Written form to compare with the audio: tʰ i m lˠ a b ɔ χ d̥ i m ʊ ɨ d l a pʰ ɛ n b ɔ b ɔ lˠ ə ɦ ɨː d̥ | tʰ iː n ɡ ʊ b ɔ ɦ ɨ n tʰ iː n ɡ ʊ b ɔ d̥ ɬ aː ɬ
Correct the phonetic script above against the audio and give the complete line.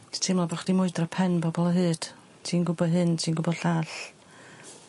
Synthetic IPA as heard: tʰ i m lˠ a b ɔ χ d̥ i m ʊ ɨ d r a pʰ ɛ n b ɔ b ɔ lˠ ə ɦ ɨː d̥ | tʰ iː n ɡ ʊ b ɔ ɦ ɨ n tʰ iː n ɡ ʊ b ɔ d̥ ɬ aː ɬ